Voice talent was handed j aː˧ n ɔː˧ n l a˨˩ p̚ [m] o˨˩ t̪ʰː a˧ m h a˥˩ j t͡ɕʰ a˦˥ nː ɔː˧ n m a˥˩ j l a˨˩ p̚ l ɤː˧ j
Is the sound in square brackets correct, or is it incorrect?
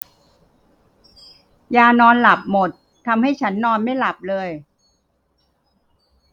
correct